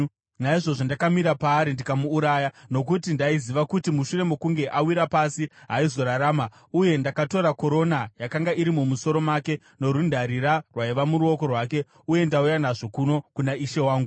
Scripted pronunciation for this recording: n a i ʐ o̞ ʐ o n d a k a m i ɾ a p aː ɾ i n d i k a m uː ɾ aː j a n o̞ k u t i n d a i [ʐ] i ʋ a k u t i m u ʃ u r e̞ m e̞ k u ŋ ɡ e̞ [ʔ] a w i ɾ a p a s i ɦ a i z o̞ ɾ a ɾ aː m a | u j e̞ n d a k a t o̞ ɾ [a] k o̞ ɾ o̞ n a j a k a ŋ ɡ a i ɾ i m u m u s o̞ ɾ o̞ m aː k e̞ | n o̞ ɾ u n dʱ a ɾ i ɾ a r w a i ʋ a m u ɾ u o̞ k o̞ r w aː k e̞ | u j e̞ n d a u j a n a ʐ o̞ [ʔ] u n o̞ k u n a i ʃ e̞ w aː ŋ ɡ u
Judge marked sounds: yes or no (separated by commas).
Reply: no, yes, yes, no